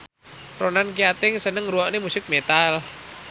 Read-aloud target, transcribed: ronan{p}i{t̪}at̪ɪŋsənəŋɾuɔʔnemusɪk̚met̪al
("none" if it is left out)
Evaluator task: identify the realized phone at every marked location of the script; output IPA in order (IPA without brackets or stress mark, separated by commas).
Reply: k, none